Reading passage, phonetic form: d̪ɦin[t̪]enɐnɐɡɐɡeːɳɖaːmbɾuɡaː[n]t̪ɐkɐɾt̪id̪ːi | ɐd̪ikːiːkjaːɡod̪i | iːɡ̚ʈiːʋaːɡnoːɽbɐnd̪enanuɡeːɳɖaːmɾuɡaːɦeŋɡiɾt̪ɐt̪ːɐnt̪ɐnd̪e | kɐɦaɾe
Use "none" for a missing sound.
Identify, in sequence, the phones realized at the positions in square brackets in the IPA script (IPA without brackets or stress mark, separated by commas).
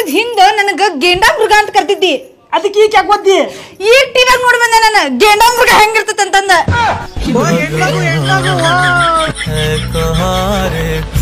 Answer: d̪, n